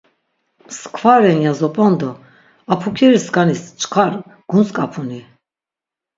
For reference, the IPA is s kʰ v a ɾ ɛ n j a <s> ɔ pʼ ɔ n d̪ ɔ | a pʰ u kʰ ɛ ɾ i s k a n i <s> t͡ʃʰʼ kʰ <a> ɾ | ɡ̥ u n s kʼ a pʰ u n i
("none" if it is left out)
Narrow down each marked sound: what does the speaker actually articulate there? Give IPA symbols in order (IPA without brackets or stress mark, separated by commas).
z, s, a